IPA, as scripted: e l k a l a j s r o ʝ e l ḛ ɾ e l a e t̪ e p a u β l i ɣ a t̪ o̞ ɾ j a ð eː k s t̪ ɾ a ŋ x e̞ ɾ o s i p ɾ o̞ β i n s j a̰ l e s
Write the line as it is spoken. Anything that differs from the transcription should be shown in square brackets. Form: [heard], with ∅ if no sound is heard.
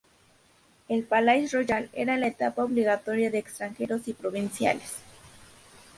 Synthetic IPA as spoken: e l [p] a l a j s r o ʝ [a] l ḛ ɾ [a] l a e t̪ [a] p a [o] β l i ɣ a t̪ o̞ ɾ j a ð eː k s t̪ ɾ a ŋ x e̞ ɾ o s i p ɾ o̞ β i n s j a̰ l e s

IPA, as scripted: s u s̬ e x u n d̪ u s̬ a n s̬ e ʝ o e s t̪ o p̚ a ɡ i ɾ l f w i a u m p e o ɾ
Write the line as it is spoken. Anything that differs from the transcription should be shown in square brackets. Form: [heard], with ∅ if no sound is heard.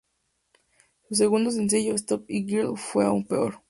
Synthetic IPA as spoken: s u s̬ e [ɣ] u n d̪ [o] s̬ [e] n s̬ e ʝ o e s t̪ o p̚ [i] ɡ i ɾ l f w [e] a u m p e o ɾ

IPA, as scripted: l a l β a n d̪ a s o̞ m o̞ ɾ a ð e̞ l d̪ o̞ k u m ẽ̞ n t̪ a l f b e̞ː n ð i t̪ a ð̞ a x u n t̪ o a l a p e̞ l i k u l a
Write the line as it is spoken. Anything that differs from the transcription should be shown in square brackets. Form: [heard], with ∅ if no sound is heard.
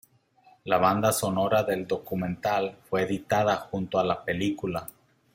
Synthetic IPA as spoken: l a [∅] β a n d̪ a s o̞ [n] o̞ ɾ a ð e̞ l d̪ o̞ k u m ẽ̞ n t̪ a l f [w] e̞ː [∅] ð i t̪ a ð̞ a x u n t̪ o a l a p e̞ l i k u l a

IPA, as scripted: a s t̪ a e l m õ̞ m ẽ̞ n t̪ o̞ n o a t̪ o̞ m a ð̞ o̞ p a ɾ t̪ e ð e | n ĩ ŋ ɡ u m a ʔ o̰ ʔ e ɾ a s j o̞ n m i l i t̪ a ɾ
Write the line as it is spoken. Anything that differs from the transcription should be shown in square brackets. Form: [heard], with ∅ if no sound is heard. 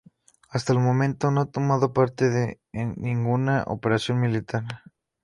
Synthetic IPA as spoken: a s t̪ a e l m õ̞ m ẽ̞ n t̪ o̞ n o a t̪ o̞ m a ð̞ o̞ p a ɾ t̪ e ð e | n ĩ ŋ ɡ u [n] a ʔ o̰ [p] e ɾ a s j o̞ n m i l i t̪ a ɾ

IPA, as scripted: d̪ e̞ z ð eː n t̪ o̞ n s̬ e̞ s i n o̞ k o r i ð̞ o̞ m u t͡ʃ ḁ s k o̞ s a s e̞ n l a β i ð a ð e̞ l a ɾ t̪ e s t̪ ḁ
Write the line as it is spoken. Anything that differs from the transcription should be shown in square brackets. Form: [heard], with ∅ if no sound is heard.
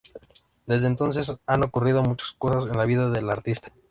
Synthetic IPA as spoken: d̪ e̞ z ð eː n t̪ o̞ n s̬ e̞ s [a] n o̞ k [u] r i ð̞ o̞ m u t͡ʃ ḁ s k o̞ s a s e̞ n l a β i ð a ð e̞ l a ɾ t̪ [i] s t̪ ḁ

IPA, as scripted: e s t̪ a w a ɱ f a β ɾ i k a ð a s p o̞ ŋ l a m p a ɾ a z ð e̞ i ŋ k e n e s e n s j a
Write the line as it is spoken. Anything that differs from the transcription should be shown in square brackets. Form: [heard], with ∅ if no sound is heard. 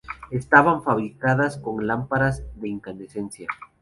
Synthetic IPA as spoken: e s t̪ a [β] a ɱ f a β ɾ i k a ð a s [k] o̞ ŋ l a m p a ɾ a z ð e̞ i ŋ k [a] n e s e n s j a

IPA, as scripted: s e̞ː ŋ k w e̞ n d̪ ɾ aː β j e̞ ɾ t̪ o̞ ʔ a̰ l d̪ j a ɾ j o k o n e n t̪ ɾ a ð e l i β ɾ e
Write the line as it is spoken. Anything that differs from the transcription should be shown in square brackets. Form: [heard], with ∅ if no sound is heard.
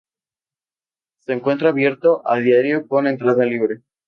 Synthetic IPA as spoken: s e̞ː ŋ k w e̞ n [t̪] ɾ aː β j e̞ ɾ t̪ o̞ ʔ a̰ l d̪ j a ɾ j o k o n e n t̪ ɾ a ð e l i β ɾ e

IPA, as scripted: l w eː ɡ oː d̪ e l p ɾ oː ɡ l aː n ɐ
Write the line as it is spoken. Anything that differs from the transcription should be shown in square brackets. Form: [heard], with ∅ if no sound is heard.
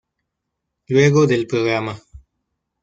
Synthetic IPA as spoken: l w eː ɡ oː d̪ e l p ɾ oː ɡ [ɾ] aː [m] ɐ

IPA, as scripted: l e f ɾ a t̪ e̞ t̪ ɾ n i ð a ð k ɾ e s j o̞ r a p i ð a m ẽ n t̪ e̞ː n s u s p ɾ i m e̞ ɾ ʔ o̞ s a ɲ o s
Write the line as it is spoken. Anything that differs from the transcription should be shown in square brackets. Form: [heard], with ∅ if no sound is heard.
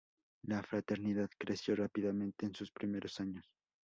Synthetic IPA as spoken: l [a] f ɾ a t̪ e̞ [∅] ɾ n i ð a ð k ɾ e s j o̞ r a p i ð a m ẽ n t̪ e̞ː n s u s p ɾ i m e̞ ɾ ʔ o̞ s a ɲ o s

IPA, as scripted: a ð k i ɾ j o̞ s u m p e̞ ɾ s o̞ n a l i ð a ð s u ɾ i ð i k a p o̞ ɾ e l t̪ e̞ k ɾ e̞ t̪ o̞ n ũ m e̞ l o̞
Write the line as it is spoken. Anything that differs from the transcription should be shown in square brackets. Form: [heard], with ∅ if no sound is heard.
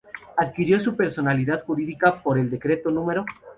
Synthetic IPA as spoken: a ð k i ɾ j o̞ s u [∅] p e̞ ɾ s o̞ n a l i ð a ð [x] u ɾ i ð i k a p o̞ ɾ e l [d̪] e̞ k ɾ e̞ t̪ o̞ n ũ m e̞ [ɾ] o̞

